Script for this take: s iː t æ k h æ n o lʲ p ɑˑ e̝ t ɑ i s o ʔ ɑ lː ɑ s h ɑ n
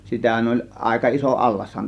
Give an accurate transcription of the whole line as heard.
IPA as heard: s i t æ h æ n o lʲ ʔ ɑˑ e̝ k ɑ i s o ʔ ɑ lː ɑ s h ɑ n